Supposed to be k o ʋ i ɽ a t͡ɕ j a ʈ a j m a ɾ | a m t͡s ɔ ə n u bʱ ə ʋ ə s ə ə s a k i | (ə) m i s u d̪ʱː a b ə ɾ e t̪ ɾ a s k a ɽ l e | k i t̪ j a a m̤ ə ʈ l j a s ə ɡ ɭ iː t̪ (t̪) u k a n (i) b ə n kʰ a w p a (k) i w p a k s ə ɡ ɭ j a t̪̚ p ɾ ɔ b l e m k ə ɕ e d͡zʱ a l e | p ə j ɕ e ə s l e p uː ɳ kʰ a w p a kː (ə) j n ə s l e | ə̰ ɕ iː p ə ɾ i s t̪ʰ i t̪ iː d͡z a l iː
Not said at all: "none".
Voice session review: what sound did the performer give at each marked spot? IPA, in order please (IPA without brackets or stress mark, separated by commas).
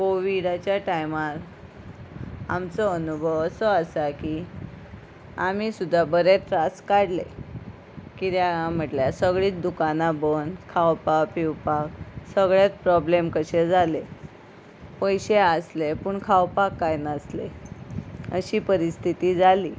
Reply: a, d̪, a, p, a